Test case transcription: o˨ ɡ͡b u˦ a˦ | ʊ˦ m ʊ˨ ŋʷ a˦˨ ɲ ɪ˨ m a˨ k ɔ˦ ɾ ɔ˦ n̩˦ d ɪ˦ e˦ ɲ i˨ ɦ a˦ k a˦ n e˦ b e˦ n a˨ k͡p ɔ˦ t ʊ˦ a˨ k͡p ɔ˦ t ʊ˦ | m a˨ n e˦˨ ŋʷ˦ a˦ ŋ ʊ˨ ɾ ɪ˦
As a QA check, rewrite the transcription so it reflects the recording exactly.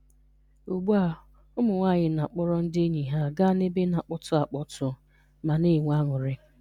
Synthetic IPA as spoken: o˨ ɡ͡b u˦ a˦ | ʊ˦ m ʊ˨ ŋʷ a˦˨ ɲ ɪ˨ n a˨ k͡p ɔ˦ ɾ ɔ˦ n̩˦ d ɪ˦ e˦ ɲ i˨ ɦ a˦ ɡ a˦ n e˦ b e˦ n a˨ k͡p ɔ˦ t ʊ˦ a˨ k͡p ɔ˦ t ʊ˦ | m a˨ n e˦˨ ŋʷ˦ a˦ ŋ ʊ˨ ɾ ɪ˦